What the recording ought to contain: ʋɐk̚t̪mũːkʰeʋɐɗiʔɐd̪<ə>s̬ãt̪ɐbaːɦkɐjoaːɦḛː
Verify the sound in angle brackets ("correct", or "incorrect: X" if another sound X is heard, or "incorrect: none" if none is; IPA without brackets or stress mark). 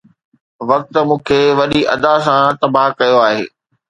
incorrect: a